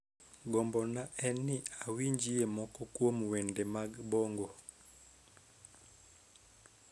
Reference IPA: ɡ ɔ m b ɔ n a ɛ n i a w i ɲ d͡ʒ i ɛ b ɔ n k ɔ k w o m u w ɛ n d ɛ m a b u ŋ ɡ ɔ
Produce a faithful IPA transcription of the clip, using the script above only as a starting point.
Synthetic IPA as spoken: ɡ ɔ m b ɔ n a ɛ n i a w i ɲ d͡ʒ i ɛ m ɔ k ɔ k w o m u w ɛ n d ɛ m a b ɔ ŋ ɡ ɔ